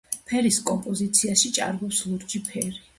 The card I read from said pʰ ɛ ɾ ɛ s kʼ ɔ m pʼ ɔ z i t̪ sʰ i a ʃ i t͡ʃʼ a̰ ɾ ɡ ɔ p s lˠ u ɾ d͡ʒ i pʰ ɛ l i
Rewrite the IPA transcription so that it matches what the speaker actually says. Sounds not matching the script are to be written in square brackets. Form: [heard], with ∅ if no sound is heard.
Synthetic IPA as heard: pʰ ɛ ɾ [i] s kʼ ɔ m pʼ ɔ z i t̪ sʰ i a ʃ i t͡ʃʼ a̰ ɾ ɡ ɔ p s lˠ u ɾ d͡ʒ i pʰ ɛ [ɾ] i